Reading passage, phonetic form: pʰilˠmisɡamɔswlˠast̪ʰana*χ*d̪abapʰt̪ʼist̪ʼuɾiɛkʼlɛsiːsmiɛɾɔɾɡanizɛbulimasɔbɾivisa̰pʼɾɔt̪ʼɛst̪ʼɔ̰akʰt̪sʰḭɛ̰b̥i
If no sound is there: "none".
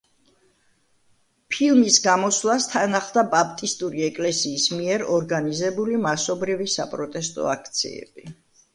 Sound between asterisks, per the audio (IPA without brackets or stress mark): χ